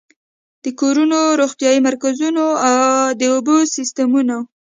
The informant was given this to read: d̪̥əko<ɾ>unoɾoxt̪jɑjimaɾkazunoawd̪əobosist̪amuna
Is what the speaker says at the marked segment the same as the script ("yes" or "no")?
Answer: yes